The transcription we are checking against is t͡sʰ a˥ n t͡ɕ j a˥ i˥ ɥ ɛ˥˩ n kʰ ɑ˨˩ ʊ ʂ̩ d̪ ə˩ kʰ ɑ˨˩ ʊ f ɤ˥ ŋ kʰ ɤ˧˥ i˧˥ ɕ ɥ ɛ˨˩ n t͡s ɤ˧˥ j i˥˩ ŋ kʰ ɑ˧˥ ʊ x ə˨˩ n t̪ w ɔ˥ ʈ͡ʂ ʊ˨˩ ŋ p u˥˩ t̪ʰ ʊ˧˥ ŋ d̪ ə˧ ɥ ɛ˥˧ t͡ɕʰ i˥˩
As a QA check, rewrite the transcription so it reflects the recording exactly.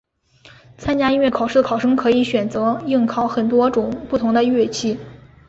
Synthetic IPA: t͡sʰ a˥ n t͡ɕ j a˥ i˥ ɥ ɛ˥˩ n kʰ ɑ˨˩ ʊ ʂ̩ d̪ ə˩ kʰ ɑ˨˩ ʊ ʂ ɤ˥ ŋ kʰ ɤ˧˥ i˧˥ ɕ ɥ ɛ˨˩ n t͡s ɤ˧˥ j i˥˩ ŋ kʰ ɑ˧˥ ʊ x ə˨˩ n t̪ w ɔ˥ ʈ͡ʂ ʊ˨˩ ŋ p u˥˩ t̪ʰ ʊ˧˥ ŋ d̪ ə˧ ɥ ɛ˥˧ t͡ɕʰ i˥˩